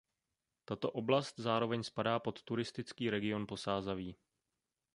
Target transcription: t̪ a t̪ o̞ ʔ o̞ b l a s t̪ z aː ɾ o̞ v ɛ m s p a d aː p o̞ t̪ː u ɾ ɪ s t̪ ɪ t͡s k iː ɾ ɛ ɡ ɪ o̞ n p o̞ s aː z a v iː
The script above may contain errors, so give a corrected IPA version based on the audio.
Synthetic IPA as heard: t̪ a t̪ o̞ ʔ o̞ b l a s t̪ z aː ɾ o̞ v ɛ ɲ s p a d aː p o̞ t̪ː u ɾ ɪ s t̪ ɪ t͡s k iː ɾ ɛ ɡ ɪ o̞ n p o̞ s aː z a v iː